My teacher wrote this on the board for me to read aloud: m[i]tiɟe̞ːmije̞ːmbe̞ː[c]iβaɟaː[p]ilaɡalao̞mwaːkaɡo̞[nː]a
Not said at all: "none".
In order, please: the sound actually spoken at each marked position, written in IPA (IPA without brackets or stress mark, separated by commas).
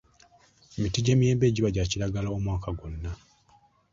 i, ɟ, c, nː